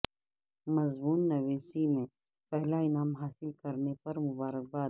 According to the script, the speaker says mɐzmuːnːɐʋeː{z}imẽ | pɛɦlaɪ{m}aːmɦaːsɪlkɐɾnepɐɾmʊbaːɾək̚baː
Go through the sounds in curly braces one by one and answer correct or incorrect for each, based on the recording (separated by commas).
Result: incorrect, incorrect